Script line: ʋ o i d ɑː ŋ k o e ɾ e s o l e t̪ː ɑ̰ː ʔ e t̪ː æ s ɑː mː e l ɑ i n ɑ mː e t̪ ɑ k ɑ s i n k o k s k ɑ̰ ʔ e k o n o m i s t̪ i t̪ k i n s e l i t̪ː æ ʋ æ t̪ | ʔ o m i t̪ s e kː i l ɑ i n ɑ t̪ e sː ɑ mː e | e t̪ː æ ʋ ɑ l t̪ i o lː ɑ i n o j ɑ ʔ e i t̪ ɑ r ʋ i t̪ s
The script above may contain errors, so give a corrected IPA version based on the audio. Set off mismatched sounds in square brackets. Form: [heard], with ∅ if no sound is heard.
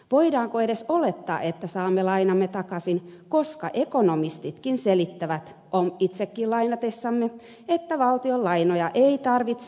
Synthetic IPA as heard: ʋ o i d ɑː ŋ k o e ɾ e s o l e t̪ː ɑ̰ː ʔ e t̪ː æ s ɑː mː e l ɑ i n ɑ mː e t̪ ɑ k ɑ s i n k o [∅] s k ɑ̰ ʔ e k o n o m i s t̪ i t̪ k i n s e l i t̪ː æ ʋ æ t̪ | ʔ o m i t̪ s e kː i l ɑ i n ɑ t̪ e sː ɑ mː e | e t̪ː æ ʋ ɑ l t̪ i o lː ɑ i n o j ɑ ʔ e i t̪ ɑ r ʋ i t̪ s

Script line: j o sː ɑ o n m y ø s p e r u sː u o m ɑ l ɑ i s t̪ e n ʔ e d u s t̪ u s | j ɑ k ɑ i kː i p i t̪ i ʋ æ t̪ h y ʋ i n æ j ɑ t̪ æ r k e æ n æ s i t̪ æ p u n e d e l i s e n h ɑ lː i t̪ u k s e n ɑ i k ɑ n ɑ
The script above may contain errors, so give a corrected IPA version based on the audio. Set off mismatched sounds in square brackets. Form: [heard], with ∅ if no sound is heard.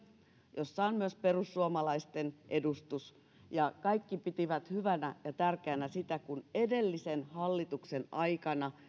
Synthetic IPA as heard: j o sː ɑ o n m y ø s p e r u sː u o m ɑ l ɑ i s t̪ e n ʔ e d u s t̪ u s | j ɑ k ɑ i kː i p i t̪ i ʋ æ t̪ h y ʋ [æ] n æ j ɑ t̪ æ r k e æ n æ s i t̪ æ [k] u n e d e [lː] i s e n h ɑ lː i t̪ u k s e n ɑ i k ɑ n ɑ

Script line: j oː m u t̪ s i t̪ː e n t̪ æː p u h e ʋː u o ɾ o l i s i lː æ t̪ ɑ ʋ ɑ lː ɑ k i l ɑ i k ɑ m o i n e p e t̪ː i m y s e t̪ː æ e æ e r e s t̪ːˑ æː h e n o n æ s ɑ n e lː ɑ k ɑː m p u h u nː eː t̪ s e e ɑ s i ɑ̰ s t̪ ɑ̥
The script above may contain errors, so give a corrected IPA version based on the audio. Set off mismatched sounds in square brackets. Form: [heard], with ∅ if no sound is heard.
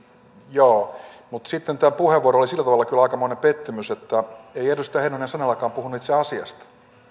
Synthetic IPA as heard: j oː m u t̪ s i t̪ː e n t̪ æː p u h e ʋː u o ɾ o l i s i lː æ t̪ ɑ ʋ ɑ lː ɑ k [y] l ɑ i k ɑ m o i n e p e t̪ː [y] m y s e t̪ː æ e [i] e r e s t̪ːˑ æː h e n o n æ s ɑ n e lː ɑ k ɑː m p u h u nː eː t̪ s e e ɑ s i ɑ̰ s t̪ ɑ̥

